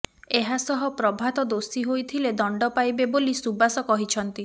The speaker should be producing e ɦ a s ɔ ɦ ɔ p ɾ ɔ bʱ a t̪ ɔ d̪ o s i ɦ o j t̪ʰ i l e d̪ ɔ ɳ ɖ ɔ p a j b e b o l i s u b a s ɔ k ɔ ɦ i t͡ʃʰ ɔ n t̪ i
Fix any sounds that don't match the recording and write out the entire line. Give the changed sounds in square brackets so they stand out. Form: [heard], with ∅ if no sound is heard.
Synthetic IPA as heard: e ɦ a s ɔ ɦ ɔ p ɾ ɔ bʱ a t̪ ɔ d̪ o s i ɦ o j t̪ʰ i l e d̪ ɔ ɳ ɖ ɔ p a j b e b o l i s u b a s ɔ k ɔ ɦ i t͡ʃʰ ɔ n t̪ i

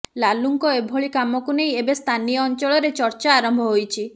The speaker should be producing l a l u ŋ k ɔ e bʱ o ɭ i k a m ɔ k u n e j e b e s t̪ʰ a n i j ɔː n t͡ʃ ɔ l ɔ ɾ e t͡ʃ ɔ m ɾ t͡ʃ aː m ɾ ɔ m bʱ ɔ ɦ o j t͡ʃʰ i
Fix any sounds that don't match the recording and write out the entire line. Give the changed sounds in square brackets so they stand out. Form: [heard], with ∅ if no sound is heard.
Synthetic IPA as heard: l a l u ŋ k ɔ e bʱ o ɭ i k a m ɔ k u n e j e b e s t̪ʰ a n i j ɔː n t͡ʃ ɔ [ɭ] ɔ ɾ e t͡ʃ ɔ [∅] ɾ t͡ʃ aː [∅] ɾ ɔ m bʱ ɔ ɦ o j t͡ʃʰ i

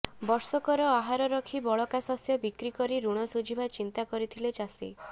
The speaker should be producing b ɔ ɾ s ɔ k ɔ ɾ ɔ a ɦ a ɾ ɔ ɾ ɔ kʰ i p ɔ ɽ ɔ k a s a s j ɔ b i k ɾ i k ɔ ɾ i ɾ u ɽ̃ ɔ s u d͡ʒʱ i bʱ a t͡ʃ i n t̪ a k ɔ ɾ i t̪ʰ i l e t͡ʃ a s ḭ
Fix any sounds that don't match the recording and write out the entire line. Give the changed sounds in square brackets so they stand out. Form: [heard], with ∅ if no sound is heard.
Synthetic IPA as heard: b ɔ ɾ s ɔ k ɔ ɾ ɔ a ɦ a ɾ ɔ ɾ ɔ kʰ i [b] ɔ [ɭ] ɔ k a s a s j ɔ b i k ɾ i k ɔ ɾ i ɾ u ɽ̃ ɔ s u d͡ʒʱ i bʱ a t͡ʃ i n t̪ a k ɔ ɾ i t̪ʰ i l e t͡ʃ a s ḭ

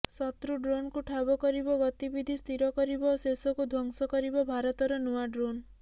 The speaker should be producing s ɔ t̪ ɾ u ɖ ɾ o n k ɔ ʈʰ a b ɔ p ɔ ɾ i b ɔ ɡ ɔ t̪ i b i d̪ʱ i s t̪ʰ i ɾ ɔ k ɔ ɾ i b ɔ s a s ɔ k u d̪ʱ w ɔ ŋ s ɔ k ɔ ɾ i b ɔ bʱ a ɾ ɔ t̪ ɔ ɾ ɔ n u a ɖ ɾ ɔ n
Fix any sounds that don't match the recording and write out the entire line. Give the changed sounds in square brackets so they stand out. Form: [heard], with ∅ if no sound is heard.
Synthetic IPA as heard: s ɔ t̪ ɾ u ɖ ɾ o n k [u] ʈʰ a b ɔ [k] ɔ ɾ i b ɔ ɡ ɔ t̪ i b i d̪ʱ i s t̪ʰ i ɾ ɔ k ɔ ɾ i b ɔ s [e] s ɔ k u d̪ʱ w ɔ ŋ s ɔ k ɔ ɾ i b ɔ bʱ a ɾ ɔ t̪ ɔ ɾ ɔ n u a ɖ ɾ [o] n

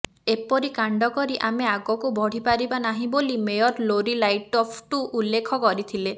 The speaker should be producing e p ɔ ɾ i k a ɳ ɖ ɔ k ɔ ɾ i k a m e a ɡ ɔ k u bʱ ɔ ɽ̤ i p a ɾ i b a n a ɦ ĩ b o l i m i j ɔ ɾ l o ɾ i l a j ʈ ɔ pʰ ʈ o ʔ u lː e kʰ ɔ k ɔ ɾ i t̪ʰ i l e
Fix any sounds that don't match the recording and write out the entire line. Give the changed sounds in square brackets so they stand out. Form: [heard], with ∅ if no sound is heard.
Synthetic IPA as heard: e p ɔ ɾ i k a ɳ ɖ ɔ k ɔ ɾ i [ʔ] a m e a ɡ ɔ k u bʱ ɔ ɽ̤ i p a ɾ i b a n a ɦ ĩ b o l i m [e] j ɔ ɾ l o ɾ i l a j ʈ ɔ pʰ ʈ [u] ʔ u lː e kʰ ɔ k ɔ ɾ i t̪ʰ i l e

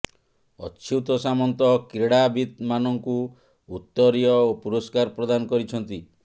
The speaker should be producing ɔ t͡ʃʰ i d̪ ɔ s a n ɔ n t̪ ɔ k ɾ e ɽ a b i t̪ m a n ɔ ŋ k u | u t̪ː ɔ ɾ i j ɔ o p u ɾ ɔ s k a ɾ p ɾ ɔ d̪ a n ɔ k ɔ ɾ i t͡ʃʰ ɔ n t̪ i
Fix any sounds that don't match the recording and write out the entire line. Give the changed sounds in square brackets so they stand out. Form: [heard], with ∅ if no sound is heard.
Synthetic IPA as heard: ɔ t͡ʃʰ i [t̪] ɔ s a [m] ɔ n t̪ ɔ k ɾ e ɽ a b i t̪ m a n ɔ ŋ k u | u t̪ː ɔ ɾ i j ɔ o p u ɾ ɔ s k a ɾ p ɾ ɔ d̪ a n ɔ k ɔ ɾ i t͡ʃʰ ɔ n t̪ i

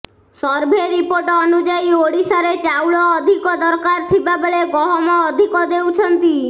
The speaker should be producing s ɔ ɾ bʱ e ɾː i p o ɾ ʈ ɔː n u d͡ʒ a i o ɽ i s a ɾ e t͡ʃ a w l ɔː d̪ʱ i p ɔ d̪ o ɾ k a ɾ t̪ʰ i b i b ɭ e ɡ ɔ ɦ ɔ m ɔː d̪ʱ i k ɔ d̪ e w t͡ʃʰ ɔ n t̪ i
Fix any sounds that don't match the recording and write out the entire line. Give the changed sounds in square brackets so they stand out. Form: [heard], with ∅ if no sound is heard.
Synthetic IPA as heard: s ɔ ɾ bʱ e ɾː i p o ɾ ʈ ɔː n u d͡ʒ a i o ɽ i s a ɾ e t͡ʃ a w [ɭ] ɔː d̪ʱ i [k] ɔ d̪ [ɔ] ɾ k a ɾ t̪ʰ i b [a] b ɭ e ɡ ɔ ɦ ɔ m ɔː d̪ʱ i k ɔ d̪ e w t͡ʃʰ ɔ n t̪ i

